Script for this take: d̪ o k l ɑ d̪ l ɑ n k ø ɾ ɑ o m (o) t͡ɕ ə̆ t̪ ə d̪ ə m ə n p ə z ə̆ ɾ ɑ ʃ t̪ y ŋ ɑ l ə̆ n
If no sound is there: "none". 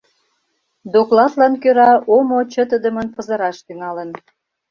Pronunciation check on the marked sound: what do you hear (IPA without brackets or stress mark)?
o